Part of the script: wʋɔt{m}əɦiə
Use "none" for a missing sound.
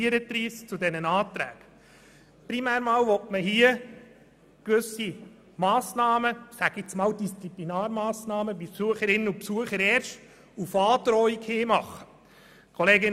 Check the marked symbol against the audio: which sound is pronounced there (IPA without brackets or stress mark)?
m